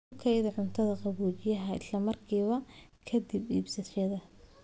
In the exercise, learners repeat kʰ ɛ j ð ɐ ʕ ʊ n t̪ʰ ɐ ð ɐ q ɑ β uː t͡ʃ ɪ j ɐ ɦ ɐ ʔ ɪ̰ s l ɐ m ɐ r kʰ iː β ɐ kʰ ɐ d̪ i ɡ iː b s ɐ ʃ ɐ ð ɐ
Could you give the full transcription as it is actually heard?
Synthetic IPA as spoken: kʰ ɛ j ð ɐ ʕ ʊ n t̪ʰ ɐ ð ɐ q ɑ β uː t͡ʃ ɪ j ɐ ɦ ɐ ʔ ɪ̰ s l ɐ m ɐ r kʰ iː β ɐ kʰ ɐ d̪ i b iː b s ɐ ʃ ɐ ð ɐ